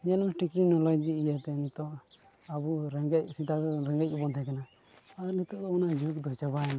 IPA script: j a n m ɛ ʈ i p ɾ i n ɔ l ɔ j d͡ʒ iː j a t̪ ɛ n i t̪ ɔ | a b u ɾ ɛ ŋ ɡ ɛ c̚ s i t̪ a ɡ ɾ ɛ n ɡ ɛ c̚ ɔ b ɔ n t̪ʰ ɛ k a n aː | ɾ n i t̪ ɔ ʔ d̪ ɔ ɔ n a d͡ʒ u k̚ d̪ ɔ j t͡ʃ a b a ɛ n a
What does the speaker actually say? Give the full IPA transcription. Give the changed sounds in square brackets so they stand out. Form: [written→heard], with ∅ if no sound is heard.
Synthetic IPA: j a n m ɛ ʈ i [p→k] ɾ i n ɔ l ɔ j d͡ʒ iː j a t̪ ɛ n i t̪ ɔ | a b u ɾ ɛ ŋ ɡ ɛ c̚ s i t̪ a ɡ ɾ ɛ [n→ŋ] ɡ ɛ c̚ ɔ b ɔ n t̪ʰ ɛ k a n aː | ɾ n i t̪ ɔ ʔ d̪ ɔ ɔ n a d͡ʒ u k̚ d̪ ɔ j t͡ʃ a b a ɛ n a

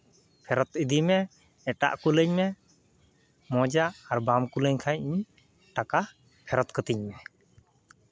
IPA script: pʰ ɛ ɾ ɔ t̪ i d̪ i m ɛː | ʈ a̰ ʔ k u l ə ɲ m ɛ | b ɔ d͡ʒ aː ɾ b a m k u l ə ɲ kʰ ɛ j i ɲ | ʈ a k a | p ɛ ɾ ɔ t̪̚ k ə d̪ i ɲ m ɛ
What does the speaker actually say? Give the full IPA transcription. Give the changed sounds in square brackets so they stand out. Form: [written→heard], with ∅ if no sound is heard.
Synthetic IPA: pʰ ɛ ɾ ɔ t̪ i d̪ i m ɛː | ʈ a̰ ʔ k u l ə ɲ m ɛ | [b→m] ɔ d͡ʒ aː ɾ b a m k u l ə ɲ kʰ [ɛ→a] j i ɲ | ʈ a k a | [p→pʰ] ɛ ɾ ɔ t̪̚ k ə [d̪→t̪] i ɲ m ɛ

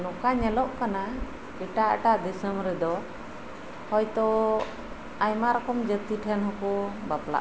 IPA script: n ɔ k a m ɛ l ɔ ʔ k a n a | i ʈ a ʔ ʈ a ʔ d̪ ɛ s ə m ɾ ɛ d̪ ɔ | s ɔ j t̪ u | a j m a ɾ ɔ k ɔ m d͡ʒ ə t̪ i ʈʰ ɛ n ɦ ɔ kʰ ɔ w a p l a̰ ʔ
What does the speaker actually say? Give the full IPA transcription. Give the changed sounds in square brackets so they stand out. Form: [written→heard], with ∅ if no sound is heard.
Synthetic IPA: n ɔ k a [m→ɲ] ɛ l ɔ ʔ k a n a | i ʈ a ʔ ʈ a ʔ d̪ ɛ s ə m ɾ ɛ d̪ ɔ | [s→h] ɔ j t̪ [u→ɔ] | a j m a ɾ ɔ k ɔ m d͡ʒ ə t̪ i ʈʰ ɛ n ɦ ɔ [kʰ→k] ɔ [w→b] a p l a̰ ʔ

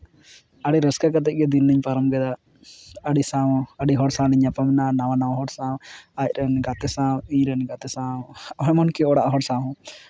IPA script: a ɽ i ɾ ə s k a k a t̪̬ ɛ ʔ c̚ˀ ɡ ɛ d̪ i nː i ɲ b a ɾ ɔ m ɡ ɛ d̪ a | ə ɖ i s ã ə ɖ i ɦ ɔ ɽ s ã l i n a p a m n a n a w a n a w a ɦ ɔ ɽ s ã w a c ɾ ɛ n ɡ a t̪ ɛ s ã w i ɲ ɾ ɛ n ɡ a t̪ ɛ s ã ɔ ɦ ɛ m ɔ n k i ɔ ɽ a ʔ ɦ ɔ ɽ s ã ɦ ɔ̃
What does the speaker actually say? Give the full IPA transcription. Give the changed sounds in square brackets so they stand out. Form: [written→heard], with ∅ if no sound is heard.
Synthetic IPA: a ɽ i ɾ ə s k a k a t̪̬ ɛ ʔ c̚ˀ ɡ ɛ d̪ i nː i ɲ [b→p] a ɾ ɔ m ɡ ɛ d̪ a | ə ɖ i s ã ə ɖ i ɦ ɔ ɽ s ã l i [n→ɲ] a p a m n a n a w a n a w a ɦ ɔ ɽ s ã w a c ɾ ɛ n ɡ a t̪ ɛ s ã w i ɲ ɾ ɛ n ɡ a t̪ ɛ s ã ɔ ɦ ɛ m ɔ n k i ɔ ɽ a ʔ ɦ ɔ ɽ s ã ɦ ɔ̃

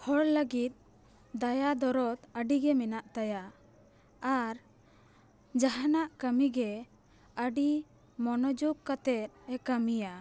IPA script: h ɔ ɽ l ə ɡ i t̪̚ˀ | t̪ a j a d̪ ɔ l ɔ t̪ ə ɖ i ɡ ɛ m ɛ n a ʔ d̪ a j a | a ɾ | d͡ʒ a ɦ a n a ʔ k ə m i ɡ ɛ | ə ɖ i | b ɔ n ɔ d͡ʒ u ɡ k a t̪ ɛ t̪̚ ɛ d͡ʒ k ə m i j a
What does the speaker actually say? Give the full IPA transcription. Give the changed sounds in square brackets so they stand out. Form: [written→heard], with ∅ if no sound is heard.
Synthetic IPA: h ɔ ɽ l ə ɡ i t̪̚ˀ | [t̪→d̪] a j a d̪ ɔ [l→ɾ] ɔ t̪ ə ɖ i ɡ ɛ m ɛ n a ʔ [d̪→t̪] a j a | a ɾ | d͡ʒ a ɦ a n a ʔ k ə m i ɡ ɛ | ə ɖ i | [b→m] ɔ n ɔ d͡ʒ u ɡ k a t̪ ɛ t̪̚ ɛ [d͡ʒ→∅] k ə m i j a

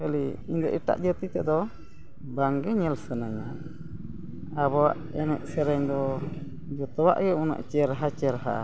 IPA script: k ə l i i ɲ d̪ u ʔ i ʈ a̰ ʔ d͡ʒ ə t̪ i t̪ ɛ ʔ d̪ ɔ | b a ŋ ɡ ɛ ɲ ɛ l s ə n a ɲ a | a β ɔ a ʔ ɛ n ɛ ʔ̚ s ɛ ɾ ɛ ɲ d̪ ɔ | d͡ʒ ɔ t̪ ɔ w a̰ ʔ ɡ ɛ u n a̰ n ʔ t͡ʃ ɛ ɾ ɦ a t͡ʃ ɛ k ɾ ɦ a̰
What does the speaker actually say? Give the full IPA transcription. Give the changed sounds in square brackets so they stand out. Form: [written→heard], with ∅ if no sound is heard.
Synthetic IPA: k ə l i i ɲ d̪ [u→ɔ] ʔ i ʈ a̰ ʔ d͡ʒ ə t̪ i t̪ ɛ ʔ d̪ ɔ | b a ŋ ɡ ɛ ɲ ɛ l s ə n a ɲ a | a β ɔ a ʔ ɛ n ɛ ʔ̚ s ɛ ɾ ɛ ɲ d̪ ɔ | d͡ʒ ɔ t̪ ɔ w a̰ ʔ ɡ ɛ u n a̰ [n→∅] ʔ t͡ʃ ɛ ɾ ɦ a t͡ʃ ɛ [k→∅] ɾ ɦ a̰

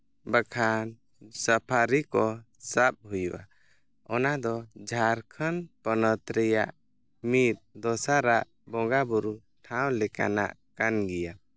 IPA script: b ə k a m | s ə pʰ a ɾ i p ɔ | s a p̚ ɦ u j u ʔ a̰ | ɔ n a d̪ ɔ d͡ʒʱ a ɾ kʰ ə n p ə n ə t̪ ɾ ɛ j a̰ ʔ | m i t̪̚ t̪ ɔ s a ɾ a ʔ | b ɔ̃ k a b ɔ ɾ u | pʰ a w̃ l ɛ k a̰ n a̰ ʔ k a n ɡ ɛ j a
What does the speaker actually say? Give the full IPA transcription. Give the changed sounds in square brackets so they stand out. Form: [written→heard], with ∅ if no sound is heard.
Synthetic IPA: b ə [k→kʰ] a [m→n] | s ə pʰ a ɾ i [p→k] ɔ | s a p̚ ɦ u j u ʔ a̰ | ɔ n a d̪ ɔ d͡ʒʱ a ɾ kʰ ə n p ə n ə t̪ ɾ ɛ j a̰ ʔ | m i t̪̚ [t̪→d̪] ɔ s a ɾ a ʔ | b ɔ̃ [k→ɡ] a b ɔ ɾ u | [pʰ→ʈʰ] a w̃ l ɛ k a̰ n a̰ ʔ k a n ɡ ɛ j a

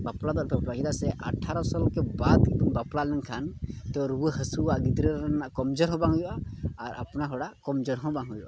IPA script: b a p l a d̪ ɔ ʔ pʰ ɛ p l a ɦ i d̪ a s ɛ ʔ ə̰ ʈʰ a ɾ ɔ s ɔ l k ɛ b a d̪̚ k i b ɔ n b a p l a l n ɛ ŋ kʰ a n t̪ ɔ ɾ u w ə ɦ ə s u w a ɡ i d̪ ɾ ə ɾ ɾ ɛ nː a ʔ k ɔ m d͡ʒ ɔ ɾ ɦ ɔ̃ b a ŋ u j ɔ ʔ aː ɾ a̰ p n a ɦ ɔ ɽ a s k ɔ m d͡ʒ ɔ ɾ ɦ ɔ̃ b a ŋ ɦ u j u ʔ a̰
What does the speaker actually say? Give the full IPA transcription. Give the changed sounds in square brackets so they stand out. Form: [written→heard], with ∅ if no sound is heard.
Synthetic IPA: b a p l a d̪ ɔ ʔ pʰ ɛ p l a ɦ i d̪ a s ɛ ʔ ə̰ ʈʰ a ɾ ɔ s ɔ l k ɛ b a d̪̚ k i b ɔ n b a p l a l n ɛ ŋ kʰ a n t̪ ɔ ɾ u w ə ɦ ə s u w a ɡ i d̪ ɾ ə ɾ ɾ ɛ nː a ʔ k ɔ m d͡ʒ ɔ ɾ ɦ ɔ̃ b a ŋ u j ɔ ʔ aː ɾ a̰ p n a ɦ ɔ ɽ a [s→∅] k ɔ m d͡ʒ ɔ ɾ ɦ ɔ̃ b a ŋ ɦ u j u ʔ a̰

